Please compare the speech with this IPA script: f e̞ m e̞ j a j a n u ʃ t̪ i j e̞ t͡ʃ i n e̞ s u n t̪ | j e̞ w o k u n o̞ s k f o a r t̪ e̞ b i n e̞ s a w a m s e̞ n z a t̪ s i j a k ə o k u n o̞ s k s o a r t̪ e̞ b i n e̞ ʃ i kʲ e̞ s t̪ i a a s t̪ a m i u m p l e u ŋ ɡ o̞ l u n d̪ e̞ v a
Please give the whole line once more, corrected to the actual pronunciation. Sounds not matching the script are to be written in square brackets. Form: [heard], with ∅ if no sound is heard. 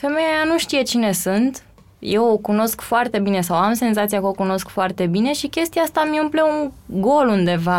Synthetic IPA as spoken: f e̞ m e̞ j a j a n u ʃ t̪ i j e̞ t͡ʃ i n e̞ s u n t̪ | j e̞ w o k u n o̞ s k f o a r t̪ e̞ b i n e̞ s a w a m s e̞ n z a t̪ s i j a k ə o k u n o̞ s k [f] o a r t̪ e̞ b i n e̞ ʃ i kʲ e̞ s t̪ i a a s t̪ a m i u m p l e u ŋ ɡ o̞ l u n d̪ e̞ v a